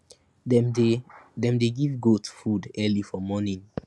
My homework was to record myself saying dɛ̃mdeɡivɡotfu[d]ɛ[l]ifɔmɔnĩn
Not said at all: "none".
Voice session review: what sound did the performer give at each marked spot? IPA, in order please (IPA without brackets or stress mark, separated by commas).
d, l